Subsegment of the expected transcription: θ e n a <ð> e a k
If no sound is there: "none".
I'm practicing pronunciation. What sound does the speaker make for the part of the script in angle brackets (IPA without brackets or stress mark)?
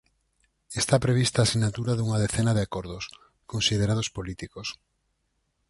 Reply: ð